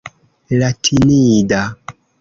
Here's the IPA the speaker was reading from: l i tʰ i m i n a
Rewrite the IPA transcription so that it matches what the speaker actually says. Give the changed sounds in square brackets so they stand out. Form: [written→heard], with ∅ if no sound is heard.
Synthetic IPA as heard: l [i→a] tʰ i [m→n] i [n→d] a